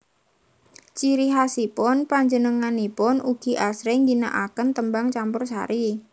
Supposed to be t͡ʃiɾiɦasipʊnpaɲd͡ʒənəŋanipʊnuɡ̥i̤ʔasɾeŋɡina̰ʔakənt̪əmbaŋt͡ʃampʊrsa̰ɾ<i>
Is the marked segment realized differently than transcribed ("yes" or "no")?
no